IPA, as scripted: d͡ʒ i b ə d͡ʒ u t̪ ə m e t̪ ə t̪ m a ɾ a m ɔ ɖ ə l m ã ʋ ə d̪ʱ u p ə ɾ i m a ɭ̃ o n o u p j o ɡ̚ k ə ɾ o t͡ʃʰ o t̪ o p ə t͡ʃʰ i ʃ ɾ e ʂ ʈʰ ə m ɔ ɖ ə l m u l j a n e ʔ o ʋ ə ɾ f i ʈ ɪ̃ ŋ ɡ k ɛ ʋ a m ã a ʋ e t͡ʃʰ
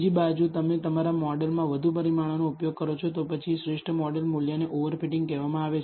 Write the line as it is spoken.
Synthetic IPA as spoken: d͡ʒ i b a d͡ʒ u t̪ ə m e t̪ ə m a ɾ a m ɔ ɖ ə l m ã ʋ ə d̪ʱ u p ə ɾ i m a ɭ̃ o n o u p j o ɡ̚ k ə ɾ o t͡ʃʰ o t̪ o p ə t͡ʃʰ i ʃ ɾ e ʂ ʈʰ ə m ɔ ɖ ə l m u l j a n e ʔ o ʋ ə ɾ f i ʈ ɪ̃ ŋ ɡ k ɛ ʋ a m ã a ʋ e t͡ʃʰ